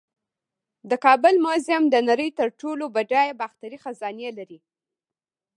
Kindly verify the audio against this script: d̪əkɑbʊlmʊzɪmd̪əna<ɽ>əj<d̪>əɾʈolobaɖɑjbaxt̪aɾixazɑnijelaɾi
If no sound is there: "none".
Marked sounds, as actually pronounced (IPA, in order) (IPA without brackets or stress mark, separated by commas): ɾ, t̪